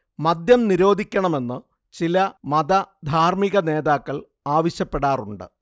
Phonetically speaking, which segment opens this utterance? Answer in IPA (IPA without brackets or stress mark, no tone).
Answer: m